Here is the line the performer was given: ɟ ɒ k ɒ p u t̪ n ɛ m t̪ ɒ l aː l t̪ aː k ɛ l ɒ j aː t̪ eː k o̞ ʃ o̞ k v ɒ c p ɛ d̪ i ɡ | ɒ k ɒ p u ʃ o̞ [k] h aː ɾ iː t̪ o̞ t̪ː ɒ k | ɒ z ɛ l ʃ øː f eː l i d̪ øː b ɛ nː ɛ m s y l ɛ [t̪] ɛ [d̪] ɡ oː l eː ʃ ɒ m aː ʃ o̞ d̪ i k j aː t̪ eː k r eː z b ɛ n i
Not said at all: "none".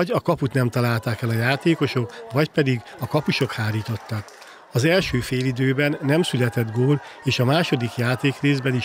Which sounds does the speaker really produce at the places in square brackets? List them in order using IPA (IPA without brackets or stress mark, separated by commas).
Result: k, t̪, d̪